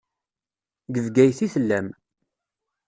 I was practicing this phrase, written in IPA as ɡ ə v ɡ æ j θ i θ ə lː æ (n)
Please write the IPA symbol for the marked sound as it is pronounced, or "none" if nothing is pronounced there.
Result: m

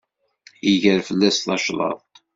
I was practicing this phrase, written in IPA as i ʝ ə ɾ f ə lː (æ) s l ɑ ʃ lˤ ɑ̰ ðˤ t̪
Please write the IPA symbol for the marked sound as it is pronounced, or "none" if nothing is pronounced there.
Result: æ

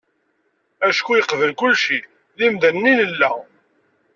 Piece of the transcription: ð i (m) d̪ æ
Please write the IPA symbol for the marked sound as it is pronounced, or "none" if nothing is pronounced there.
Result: m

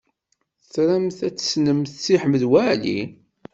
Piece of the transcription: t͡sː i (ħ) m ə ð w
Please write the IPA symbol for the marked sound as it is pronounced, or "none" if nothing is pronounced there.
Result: ħ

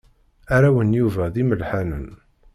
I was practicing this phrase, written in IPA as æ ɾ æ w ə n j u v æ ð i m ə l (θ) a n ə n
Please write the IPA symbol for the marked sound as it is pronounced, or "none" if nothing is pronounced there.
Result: ħ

